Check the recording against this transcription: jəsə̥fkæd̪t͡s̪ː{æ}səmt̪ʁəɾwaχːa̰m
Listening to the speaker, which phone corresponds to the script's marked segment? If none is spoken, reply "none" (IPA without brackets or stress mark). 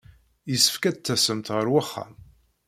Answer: æ